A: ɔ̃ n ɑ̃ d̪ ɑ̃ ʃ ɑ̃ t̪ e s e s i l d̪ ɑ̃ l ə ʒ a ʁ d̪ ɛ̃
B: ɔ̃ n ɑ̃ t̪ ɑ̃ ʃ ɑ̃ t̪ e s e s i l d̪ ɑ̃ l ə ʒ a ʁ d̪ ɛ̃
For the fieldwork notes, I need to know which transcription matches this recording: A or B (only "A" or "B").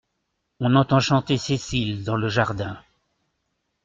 B